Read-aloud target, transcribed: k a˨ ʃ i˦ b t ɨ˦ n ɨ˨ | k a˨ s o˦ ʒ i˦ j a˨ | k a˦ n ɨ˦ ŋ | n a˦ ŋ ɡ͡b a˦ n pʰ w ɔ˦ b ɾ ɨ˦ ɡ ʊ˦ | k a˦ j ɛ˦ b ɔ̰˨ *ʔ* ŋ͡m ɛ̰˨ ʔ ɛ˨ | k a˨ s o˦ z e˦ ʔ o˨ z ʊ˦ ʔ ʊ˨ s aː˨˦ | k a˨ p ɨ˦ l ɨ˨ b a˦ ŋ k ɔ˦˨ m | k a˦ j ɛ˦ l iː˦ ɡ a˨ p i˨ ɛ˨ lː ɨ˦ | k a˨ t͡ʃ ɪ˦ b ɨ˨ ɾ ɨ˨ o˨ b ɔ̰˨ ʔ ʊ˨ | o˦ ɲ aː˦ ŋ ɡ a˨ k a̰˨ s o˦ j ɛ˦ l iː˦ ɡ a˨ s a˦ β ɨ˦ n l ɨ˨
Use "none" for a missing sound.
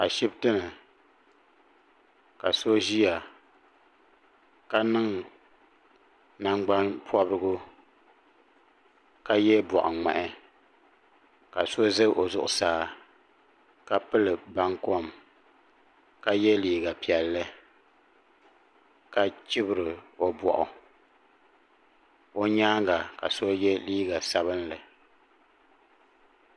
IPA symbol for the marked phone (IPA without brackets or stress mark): ʔ